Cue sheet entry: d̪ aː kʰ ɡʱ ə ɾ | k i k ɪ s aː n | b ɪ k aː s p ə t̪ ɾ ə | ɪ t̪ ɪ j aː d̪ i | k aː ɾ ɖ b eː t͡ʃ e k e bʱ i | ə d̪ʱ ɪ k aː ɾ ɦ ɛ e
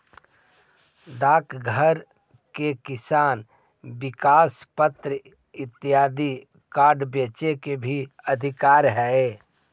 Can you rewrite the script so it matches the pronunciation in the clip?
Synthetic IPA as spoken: d̪ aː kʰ ɡʱ ə ɾ | k e k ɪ s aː n | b ɪ k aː s p ə t̪ ɾ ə | ɪ t̪ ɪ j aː d̪ i | k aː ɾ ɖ b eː t͡ʃ e k e bʱ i | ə d̪ʱ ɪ k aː ɾ ɦ ɛ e